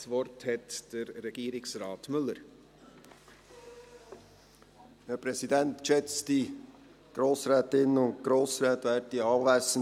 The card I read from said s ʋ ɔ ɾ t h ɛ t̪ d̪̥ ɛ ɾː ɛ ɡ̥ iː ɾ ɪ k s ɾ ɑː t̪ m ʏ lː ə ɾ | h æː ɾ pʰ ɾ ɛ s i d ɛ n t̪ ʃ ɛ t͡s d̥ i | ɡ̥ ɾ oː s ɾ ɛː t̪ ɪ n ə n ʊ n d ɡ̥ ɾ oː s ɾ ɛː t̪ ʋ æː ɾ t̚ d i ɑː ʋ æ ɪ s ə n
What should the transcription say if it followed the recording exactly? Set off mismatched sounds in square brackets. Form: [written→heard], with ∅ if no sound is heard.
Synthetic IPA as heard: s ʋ ɔ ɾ t h ɛ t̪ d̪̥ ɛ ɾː ɛ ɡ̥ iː ɾ ɪ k s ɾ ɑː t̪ m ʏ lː ə ɾ | h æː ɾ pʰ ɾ ɛ s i d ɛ n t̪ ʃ ɛ t͡s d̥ i | ɡ̥ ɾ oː s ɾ ɛː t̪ ɪ n ə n ʊ n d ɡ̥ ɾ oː s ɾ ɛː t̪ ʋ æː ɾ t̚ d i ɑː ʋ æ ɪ s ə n